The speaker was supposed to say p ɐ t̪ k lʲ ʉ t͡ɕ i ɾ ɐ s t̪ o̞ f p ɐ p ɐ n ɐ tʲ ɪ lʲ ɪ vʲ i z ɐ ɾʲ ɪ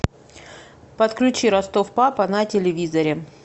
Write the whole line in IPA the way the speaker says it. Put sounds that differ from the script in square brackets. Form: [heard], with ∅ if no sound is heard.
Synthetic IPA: p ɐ t̪ k lʲ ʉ t͡ɕ i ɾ ɐ s t̪ o̞ f p [a] p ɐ n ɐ tʲ ɪ lʲ ɪ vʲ i z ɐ ɾʲ ɪ